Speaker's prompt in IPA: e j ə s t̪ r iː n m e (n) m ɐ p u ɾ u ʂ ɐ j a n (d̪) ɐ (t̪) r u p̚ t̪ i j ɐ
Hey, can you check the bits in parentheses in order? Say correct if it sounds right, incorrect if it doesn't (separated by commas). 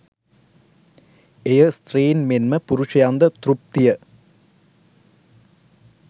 correct, correct, correct